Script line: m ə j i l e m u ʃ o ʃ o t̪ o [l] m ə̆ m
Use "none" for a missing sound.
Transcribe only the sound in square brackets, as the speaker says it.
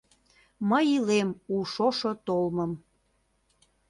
l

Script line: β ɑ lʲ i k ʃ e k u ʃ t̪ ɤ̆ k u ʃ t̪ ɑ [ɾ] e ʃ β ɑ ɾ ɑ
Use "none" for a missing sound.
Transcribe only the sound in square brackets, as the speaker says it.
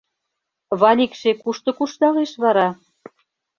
l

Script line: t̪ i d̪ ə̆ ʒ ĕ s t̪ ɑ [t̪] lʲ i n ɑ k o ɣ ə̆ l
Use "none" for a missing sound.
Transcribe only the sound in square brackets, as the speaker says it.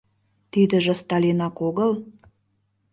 none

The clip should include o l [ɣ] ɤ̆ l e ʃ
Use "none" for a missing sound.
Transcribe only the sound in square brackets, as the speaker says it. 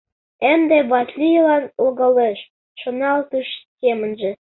ɣ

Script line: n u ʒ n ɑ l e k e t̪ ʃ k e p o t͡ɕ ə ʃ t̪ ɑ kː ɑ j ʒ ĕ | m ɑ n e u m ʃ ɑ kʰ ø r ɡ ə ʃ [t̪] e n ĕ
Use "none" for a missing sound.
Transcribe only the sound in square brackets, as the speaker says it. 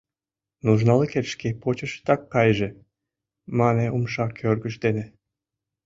d̪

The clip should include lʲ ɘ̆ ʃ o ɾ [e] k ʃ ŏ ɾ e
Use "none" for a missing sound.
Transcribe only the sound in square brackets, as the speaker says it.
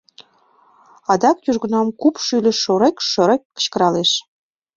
e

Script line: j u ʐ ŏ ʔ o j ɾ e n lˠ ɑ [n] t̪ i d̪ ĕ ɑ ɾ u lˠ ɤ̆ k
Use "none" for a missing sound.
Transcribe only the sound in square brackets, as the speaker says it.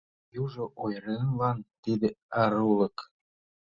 n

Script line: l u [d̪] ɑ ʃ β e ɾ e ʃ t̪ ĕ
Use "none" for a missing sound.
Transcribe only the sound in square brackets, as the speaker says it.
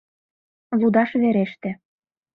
d̪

